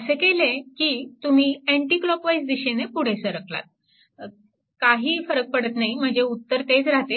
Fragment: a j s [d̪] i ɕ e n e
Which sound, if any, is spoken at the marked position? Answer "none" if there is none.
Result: d̪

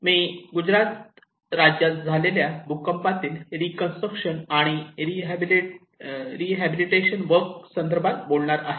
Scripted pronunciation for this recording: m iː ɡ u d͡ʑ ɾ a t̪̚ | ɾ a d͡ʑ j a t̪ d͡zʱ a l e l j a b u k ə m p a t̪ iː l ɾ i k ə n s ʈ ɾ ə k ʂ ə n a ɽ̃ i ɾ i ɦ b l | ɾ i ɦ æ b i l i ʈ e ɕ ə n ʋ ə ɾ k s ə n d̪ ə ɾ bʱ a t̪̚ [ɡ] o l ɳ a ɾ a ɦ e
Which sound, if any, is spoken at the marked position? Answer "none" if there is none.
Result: b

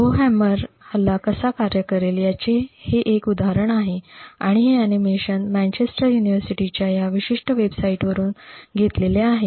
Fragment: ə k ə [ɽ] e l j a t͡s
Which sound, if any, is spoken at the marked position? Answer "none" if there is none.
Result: ɾ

